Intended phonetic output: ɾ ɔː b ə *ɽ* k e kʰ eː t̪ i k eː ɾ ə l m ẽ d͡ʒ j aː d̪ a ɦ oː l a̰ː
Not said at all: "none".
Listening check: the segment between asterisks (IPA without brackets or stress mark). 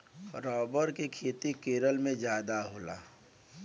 ɾ